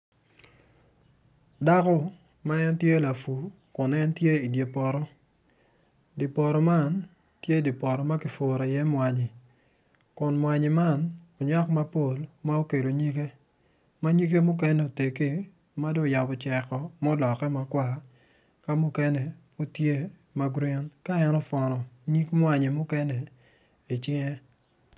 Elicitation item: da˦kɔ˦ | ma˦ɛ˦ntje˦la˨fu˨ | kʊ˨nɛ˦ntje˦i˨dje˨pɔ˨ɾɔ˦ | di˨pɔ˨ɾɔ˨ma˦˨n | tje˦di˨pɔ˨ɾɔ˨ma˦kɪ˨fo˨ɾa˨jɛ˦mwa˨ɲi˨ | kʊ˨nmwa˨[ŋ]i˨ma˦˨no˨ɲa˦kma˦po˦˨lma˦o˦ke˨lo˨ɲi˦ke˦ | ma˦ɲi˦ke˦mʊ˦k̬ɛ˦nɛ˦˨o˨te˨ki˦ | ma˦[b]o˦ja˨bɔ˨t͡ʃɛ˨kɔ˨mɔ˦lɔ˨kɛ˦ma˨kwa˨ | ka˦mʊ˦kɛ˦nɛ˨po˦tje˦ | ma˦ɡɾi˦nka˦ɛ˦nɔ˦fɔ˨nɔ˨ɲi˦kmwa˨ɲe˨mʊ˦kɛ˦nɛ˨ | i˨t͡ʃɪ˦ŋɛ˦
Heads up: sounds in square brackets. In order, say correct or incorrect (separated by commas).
incorrect, incorrect